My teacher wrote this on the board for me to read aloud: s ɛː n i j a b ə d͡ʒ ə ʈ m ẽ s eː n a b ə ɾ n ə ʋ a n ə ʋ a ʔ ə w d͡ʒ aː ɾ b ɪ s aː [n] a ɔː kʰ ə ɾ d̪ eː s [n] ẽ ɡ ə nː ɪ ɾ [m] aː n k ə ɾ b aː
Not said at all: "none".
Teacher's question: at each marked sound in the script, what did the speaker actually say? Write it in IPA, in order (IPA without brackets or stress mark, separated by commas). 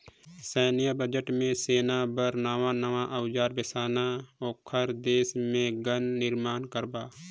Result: n, m, m